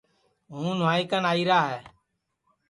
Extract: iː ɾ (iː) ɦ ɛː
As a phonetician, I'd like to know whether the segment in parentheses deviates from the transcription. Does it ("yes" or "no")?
yes